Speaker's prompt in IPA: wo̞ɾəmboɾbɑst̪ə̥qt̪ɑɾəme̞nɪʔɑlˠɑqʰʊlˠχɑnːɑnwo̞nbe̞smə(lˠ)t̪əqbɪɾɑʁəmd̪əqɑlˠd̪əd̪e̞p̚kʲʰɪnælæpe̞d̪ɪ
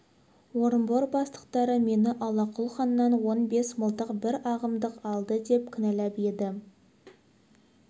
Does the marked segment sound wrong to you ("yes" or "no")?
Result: no